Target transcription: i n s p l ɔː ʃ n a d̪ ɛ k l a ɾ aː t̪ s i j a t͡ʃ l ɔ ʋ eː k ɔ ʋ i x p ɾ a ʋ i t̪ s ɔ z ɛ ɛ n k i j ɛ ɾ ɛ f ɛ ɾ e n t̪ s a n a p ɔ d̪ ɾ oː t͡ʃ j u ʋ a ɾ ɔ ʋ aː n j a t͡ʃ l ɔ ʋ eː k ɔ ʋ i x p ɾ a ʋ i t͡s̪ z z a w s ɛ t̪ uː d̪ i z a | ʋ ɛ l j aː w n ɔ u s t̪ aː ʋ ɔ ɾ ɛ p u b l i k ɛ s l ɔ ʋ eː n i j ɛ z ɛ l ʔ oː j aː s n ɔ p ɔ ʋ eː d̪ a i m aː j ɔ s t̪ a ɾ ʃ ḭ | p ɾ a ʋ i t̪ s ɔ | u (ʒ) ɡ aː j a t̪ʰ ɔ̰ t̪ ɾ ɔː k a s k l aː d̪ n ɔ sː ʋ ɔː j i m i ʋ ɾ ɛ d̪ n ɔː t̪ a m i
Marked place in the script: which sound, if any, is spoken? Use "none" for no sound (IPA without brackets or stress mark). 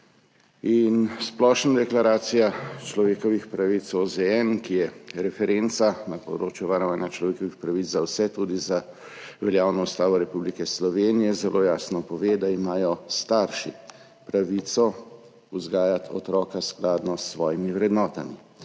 z